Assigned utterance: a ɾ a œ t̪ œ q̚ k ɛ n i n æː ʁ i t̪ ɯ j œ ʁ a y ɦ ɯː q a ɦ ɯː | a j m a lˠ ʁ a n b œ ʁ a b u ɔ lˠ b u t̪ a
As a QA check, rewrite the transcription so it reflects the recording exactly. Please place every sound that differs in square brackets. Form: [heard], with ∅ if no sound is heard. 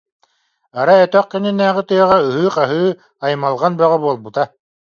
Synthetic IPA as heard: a ɾ a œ t̪ œ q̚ k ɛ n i n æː ʁ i t̪ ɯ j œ ʁ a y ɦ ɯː q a ɦ ɯː | a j m a lˠ ʁ a n b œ ʁ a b u ɔ lˠ b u t̪ a

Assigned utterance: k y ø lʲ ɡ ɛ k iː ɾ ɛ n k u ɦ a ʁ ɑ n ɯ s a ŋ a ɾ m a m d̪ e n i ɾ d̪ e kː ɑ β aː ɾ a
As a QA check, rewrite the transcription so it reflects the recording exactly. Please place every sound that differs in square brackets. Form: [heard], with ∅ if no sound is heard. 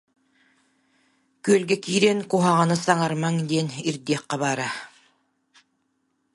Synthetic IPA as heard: k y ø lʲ ɡ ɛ k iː ɾ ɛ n k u ɦ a ʁ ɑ n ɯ s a ŋ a ɾ m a [ŋ] d̪ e n i ɾ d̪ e [qː] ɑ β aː ɾ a

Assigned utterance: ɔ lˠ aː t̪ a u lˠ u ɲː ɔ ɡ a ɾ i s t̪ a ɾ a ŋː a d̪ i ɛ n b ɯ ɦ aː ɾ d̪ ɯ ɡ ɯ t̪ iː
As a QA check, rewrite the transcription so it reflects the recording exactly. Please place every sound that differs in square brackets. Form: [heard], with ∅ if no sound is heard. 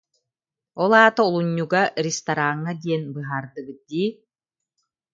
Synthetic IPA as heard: ɔ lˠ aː t̪ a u lˠ u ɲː [u] ɡ a ɾ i s t̪ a ɾ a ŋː a d̪ i ɛ n b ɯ ɦ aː ɾ d̪ ɯ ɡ ɯ [d̪] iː

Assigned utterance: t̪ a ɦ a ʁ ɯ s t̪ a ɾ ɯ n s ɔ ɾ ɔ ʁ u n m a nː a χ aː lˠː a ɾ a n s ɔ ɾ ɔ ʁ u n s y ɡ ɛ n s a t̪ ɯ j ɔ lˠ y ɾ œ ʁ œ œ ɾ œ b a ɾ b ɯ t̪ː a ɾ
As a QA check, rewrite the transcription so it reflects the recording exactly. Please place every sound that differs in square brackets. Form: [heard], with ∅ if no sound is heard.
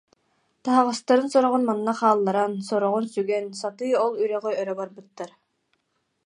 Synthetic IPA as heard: t̪ a ɦ a ʁ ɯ s t̪ a ɾ ɯ n s ɔ ɾ ɔ ʁ u n m a nː a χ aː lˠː a ɾ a n s ɔ ɾ ɔ ʁ u n s y ɡ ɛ n s a t̪ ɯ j ɔ lˠ y ɾ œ ʁ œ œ ɾ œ b a ɾ b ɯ t̪ː a ɾ

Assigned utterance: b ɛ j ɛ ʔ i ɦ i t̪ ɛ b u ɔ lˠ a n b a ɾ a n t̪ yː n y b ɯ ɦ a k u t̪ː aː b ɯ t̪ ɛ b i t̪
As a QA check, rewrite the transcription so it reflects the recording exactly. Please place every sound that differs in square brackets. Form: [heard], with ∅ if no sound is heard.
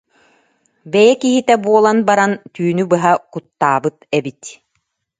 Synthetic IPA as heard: b ɛ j ɛ [k] i ɦ i t̪ ɛ b u ɔ lˠ a n b a ɾ a n t̪ yː n y b ɯ ɦ a k u t̪ː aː b ɯ t̪ ɛ b i t̪

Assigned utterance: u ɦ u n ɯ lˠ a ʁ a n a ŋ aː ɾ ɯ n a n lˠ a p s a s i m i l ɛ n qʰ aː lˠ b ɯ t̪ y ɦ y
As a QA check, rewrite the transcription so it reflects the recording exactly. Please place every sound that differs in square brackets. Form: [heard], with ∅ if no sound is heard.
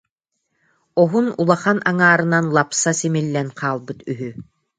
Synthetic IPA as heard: [ɔ] ɦ u n [u] lˠ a [χ] a n a ŋ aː ɾ ɯ n a n lˠ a p s a s i m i [lː] ɛ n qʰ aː lˠ b ɯ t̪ y ɦ y

